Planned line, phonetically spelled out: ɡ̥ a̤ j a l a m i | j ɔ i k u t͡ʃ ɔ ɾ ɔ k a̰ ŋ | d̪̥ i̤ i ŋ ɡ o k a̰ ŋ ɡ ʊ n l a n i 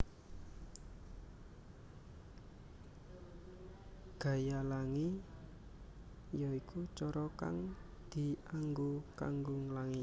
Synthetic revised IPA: ɡ̥ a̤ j a l a ŋ i | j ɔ i k u t͡ʃ ɔ ɾ ɔ k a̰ ŋ | d̪̥ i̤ a ŋ ɡ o k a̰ ŋ ɡ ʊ ŋ l a ŋ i